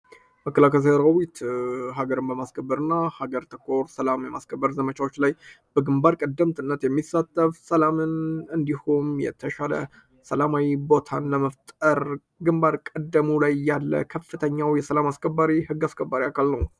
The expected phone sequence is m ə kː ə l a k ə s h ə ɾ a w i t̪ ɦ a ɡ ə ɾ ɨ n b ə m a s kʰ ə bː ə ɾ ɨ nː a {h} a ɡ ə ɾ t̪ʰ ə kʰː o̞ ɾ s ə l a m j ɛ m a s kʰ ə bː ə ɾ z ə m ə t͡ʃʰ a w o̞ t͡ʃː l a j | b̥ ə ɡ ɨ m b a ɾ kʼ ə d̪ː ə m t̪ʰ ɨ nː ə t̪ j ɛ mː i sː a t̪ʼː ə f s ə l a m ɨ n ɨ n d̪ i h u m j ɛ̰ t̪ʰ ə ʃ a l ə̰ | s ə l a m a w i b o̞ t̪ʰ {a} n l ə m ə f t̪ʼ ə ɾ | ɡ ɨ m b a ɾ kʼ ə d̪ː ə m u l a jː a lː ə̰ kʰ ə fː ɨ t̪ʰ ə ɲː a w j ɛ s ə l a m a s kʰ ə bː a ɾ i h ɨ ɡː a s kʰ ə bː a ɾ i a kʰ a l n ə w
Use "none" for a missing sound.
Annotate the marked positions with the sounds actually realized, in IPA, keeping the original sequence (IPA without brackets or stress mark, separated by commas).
h, a